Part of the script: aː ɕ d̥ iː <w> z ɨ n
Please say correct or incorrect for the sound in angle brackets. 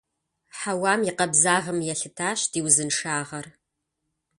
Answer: correct